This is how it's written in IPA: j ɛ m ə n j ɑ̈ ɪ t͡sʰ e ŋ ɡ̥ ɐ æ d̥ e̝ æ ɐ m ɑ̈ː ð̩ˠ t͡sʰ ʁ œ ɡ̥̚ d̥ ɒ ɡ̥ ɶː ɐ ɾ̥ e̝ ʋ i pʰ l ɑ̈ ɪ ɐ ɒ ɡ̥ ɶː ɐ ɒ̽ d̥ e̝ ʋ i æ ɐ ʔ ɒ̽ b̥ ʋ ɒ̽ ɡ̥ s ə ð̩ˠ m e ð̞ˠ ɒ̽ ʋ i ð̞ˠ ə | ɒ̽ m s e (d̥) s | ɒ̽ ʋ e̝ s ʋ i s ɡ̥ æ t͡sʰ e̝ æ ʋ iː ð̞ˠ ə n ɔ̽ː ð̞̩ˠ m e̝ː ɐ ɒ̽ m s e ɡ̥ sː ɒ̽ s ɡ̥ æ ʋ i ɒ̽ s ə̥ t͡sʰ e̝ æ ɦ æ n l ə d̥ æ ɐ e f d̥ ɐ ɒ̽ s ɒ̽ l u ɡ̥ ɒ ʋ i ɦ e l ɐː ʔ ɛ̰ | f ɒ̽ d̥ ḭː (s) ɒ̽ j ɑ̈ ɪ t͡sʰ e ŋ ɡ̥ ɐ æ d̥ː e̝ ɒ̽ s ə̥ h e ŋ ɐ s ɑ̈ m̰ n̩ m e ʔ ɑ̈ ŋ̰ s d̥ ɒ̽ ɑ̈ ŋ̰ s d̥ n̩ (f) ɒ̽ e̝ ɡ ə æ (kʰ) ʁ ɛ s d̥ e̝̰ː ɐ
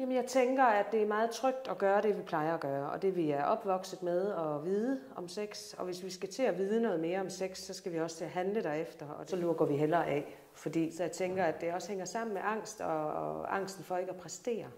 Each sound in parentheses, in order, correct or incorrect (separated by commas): incorrect, correct, correct, incorrect